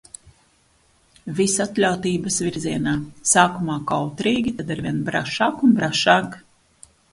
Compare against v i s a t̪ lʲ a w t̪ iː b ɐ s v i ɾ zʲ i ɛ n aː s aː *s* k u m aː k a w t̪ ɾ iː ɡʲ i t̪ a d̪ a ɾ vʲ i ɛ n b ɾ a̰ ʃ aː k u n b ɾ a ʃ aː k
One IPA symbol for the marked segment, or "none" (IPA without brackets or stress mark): none